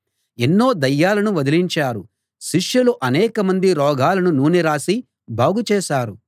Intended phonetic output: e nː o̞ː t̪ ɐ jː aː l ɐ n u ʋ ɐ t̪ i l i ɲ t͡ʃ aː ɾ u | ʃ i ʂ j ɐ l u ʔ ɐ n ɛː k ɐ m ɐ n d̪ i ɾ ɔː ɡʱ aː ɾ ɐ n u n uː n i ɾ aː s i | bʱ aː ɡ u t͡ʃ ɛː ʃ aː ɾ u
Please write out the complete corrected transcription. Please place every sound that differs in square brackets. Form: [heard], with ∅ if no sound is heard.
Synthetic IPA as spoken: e nː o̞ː [d̪] ɐ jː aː l ɐ n u ʋ ɐ [d̪] i l i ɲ t͡ʃ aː ɾ u | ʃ i ʂ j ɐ l u ʔ ɐ n ɛː k ɐ m ɐ n d̪ i ɾ ɔː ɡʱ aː [l] ɐ n u n uː n i ɾ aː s i | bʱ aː ɡ u t͡ʃ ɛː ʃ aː ɾ u